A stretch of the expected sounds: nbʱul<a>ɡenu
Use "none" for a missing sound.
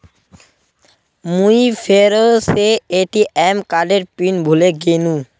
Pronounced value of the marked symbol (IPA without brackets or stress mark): e